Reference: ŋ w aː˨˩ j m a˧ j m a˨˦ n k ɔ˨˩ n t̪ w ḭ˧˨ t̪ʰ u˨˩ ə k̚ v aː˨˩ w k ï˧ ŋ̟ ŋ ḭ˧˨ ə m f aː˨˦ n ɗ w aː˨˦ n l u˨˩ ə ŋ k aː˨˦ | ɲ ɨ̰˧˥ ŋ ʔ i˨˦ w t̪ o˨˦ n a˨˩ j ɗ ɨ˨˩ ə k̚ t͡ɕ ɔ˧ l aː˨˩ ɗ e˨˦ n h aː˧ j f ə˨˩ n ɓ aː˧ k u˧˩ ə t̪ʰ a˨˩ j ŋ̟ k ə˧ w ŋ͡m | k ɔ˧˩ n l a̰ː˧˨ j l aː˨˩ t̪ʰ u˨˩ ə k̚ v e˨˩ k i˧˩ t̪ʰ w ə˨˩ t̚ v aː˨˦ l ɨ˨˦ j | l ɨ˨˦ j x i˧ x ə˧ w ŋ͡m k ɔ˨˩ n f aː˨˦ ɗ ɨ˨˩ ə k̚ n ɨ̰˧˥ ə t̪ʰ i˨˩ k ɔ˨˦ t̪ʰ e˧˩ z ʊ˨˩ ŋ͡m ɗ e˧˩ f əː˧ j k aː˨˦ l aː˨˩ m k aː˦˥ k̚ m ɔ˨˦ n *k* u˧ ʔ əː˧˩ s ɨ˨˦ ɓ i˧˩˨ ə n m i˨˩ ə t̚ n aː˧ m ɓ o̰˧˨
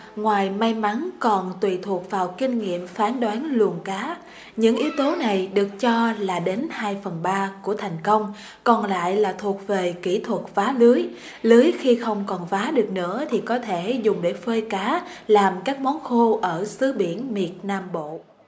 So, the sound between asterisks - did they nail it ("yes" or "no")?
no